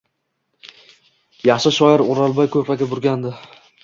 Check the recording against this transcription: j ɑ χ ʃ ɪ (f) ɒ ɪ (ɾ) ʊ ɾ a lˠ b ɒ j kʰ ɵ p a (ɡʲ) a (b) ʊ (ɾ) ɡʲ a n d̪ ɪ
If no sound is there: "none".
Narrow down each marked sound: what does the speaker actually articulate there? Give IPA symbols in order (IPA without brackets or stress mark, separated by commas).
ʃ, ɾ, ɡʲ, b, ɾ